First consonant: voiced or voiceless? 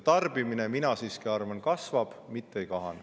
voiceless